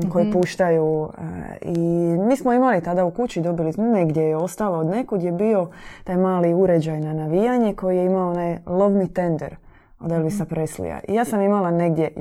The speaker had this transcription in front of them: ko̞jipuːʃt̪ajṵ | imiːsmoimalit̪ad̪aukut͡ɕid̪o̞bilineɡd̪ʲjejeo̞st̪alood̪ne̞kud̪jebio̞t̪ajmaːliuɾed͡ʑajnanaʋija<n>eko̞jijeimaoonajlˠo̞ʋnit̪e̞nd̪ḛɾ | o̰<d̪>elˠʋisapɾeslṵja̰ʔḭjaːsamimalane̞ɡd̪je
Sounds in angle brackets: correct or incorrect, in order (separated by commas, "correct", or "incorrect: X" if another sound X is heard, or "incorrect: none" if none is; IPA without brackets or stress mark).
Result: incorrect: ɲ, correct